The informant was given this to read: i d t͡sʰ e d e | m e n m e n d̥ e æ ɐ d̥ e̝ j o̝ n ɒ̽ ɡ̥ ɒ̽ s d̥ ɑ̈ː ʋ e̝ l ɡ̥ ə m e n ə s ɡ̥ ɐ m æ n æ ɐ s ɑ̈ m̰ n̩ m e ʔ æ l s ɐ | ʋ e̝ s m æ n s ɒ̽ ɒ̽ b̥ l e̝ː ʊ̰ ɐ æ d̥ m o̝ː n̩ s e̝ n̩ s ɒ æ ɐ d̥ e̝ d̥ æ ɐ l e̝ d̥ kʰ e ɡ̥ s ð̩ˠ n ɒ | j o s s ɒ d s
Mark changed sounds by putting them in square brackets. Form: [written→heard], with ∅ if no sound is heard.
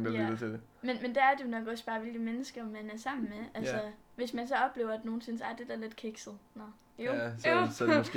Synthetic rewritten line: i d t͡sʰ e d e | m e n m e n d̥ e æ ɐ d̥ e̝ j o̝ n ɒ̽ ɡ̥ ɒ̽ s [d̥→b̥] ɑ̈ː ʋ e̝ l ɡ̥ ə m e n ə s ɡ̥ ɐ m æ n æ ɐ s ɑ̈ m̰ n̩ m e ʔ æ l s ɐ | ʋ e̝ s m æ n s ɒ̽ ɒ̽ b̥ l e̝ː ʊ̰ ɐ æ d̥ [m→n] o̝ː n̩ s e̝ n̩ s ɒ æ ɐ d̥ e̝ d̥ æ ɐ l e̝ d̥ kʰ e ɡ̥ s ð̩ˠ n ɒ | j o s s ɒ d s